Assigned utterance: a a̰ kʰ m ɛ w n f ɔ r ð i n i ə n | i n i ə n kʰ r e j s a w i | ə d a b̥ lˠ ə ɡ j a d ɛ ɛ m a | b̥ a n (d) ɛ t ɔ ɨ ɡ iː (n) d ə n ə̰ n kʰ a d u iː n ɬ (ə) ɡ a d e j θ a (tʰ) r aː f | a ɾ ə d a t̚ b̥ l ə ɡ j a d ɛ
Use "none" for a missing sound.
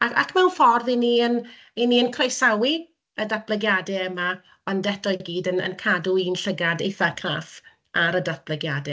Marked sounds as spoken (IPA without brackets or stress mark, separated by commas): d, none, ə, kʰ